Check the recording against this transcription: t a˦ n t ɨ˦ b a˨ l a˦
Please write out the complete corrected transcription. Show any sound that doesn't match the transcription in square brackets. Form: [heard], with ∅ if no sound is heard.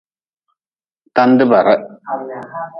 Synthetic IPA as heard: t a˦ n [d] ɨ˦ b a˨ [ɾ] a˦